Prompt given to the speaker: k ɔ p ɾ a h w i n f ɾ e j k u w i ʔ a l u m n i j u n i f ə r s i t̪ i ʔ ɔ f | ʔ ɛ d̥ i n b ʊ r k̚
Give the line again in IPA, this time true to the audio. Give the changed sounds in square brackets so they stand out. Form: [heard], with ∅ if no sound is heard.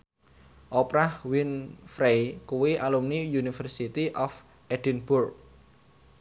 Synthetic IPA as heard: [ʔ] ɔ p ɾ a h w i n f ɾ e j k u w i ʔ a l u m n i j u n i f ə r s i t̪ i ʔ ɔ f | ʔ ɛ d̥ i n b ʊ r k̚

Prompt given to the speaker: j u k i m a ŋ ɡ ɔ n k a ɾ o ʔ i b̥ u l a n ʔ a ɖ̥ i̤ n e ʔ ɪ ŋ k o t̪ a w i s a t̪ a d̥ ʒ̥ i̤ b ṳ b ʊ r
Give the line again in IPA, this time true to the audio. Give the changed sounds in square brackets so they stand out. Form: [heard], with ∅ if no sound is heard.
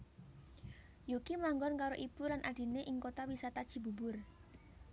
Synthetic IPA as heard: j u k i m a ŋ ɡ ɔ n k a ɾ o ʔ i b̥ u l a n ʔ a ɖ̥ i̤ n e ʔ ɪ ŋ k o t̪ a w i s a t̪ a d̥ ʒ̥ i̤ b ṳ b ʊ r

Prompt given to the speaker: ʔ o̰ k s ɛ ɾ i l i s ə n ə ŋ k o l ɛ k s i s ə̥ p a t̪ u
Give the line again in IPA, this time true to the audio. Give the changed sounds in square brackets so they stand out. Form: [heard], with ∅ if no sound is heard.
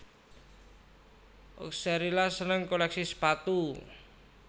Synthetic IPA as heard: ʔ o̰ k s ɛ ɾ i l [a] s ə n ə ŋ k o l ɛ k s i s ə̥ p a t̪ u

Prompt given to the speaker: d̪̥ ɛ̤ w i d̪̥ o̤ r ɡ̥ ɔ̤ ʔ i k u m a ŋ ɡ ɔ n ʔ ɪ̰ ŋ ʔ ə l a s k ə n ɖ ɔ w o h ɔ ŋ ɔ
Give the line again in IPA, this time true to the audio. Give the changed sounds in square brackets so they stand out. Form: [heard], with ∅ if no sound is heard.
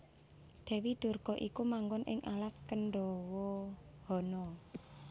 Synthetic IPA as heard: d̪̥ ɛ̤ w i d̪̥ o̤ r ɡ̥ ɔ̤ ʔ i k u m a ŋ ɡ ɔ n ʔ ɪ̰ ŋ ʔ [a] l a s k ə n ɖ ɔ w [ɔ] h ɔ [n] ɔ

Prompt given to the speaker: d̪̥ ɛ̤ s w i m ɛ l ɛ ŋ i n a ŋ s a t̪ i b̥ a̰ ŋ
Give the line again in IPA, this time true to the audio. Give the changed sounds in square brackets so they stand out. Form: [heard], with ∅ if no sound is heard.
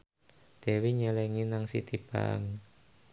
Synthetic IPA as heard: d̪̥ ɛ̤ [∅] w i [ɲ] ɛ l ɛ ŋ i n a ŋ s [i] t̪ i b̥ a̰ ŋ

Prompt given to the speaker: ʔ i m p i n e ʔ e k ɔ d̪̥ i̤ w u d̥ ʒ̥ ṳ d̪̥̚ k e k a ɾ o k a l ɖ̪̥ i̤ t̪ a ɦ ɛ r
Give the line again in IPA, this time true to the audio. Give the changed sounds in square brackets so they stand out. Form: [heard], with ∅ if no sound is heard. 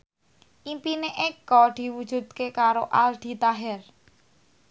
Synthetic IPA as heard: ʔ i m p i n e ʔ e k ɔ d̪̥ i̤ w u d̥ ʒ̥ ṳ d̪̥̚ k e k a ɾ o [ʔ] a l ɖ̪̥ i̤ t̪ a ɦ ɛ r

